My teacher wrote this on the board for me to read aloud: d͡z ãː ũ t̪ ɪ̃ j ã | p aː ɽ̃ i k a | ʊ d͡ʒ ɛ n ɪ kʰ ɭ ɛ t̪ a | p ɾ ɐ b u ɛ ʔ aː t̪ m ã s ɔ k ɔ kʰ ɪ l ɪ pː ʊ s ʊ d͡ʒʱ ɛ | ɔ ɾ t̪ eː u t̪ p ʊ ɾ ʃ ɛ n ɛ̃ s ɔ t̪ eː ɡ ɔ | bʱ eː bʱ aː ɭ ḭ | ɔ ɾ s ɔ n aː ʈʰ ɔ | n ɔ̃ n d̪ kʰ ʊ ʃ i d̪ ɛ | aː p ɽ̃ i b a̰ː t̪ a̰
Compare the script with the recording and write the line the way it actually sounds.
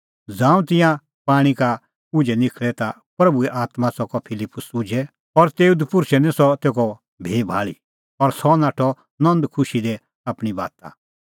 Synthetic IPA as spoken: d͡z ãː ũ t̪ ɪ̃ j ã | p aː ɽ̃ i k a | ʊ d͡ʒ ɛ n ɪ kʰ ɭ ɛ t̪ a | p ɾ ɐ b u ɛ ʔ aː t̪ m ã s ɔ k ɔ pʰ ɪ l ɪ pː ʊ s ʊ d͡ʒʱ ɛ | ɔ ɾ t̪ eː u d̪ p ʊ ɾ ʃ ɛ n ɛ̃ s ɔ t̪ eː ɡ ɔ | bʱ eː bʱ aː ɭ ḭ | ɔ ɾ s ɔ n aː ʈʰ ɔ | n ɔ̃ n d̪ kʰ ʊ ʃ i d̪ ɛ | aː p ɽ̃ i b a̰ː t̪ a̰

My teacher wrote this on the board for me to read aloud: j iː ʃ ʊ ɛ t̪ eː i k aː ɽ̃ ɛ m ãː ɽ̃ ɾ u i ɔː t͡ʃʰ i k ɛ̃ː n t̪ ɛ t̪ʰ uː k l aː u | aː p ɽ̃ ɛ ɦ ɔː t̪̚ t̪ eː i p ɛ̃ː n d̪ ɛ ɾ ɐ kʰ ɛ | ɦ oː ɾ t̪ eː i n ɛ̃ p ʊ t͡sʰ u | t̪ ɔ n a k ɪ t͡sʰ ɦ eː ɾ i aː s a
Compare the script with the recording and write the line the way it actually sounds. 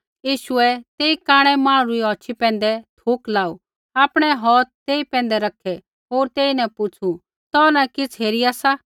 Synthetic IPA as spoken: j iː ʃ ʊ ɛ t̪ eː i k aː ɽ̃ ɛ m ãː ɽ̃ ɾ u i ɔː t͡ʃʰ i p ɛ̃ː n d̪ ɛ t̪ʰ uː k l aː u | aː p ɽ̃ ɛ ɦ ɔː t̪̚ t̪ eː i p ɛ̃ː n d̪ ɛ ɾ ɐ kʰ ɛ | ɦ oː ɾ t̪ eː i n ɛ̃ p ʊ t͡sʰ u | t̪ ɔ n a k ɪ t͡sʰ ɦ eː ɾ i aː s a

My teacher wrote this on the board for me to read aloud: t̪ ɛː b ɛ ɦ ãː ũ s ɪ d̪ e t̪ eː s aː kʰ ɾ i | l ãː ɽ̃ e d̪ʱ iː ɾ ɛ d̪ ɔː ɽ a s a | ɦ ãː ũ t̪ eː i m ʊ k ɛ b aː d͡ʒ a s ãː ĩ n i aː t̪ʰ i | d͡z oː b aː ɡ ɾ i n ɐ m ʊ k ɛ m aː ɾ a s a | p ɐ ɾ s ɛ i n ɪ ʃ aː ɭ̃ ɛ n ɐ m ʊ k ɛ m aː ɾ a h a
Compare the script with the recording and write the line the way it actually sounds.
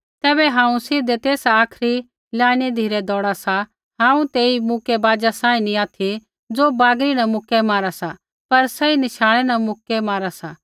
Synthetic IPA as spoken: t̪ ɛː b ɛ ɦ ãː ũ s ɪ d̪ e t̪ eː s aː kʰ ɾ i | l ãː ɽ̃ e d̪ʱ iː ɾ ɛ d̪ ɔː ɽ a s a | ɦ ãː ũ t̪ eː i m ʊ k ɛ b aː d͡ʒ a s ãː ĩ n i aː t̪ʰ i | d͡z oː b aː ɡ ɾ i n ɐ m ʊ k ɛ m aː ɾ a s a | p ɐ ɾ s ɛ i n ɪ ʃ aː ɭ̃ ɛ n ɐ m ʊ k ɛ m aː ɾ a s a

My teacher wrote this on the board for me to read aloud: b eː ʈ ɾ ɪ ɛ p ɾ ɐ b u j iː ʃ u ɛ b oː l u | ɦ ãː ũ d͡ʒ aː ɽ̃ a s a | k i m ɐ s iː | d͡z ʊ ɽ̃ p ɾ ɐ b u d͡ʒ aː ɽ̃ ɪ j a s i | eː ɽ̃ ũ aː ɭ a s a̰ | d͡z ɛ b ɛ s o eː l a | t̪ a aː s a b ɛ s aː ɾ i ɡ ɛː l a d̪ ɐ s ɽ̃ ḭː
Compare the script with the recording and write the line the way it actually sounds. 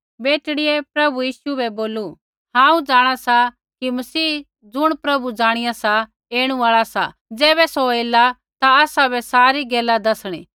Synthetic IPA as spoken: b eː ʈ ɽ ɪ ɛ p ɾ ɐ b u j iː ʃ u ɛ b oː l u | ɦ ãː ũ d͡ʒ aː ɽ̃ a s a | k i m ɐ s iː | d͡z ʊ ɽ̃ p ɾ ɐ b u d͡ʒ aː ɽ̃ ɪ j a s a | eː ɽ̃ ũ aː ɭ a s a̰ | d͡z ɛː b ɛ s o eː l a | t̪ a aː s a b ɛ s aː ɾ i ɡ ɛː l a d̪ ɐ s ɽ̃ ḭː

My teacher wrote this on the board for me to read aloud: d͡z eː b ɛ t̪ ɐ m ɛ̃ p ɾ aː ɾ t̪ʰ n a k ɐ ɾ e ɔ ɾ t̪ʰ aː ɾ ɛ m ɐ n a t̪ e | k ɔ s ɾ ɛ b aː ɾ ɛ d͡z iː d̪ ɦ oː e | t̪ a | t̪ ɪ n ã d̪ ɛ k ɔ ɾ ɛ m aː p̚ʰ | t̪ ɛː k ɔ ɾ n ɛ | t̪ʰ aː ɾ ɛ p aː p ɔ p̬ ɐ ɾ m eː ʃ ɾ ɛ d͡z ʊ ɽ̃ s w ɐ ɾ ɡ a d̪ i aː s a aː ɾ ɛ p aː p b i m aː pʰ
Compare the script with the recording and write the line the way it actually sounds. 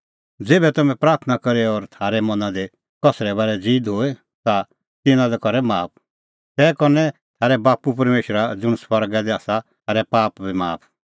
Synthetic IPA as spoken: d͡z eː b ɛ t̪ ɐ m ɛ̃ p ɾ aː ɾ t̪ʰ n a k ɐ ɾ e ɔ ɾ t̪ʰ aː ɾ ɛ m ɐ n a d̪ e | k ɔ s ɾ ɛ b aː ɾ ɛ d͡z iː d̪ ɦ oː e | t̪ a | t̪ ɪ n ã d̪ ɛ k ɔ ɾ ɛ m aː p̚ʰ | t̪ ɛː k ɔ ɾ n ɛ | t̪ʰ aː ɾ ɛ b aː p u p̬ ɐ ɾ m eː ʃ ɾ a d͡z ʊ ɽ̃ s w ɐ ɾ ɡ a d̪ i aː s a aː ɾ ɛ p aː p b i m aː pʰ

